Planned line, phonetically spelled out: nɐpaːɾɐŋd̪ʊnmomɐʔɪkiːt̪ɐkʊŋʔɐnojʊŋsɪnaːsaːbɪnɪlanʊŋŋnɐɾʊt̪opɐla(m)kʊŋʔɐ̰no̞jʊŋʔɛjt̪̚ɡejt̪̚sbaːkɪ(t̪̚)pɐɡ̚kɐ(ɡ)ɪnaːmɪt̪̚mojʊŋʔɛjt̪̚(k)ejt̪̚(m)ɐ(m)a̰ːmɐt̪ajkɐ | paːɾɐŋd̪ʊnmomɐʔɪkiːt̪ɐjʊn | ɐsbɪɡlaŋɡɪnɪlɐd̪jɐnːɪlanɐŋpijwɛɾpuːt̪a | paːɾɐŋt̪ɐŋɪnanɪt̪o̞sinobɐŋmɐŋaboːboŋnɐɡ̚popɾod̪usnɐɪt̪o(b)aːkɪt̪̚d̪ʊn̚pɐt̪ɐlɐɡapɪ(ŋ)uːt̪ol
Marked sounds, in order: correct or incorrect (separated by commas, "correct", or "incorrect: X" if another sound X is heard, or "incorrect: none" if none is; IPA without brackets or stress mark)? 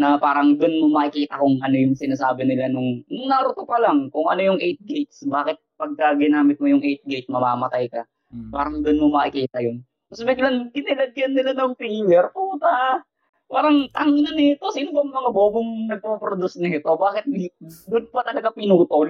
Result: incorrect: ŋ, correct, correct, incorrect: ɡ, correct, correct, correct, incorrect: n